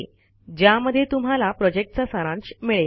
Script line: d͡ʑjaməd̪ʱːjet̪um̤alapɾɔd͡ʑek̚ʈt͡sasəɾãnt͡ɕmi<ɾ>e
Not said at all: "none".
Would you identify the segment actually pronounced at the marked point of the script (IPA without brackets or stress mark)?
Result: ɭ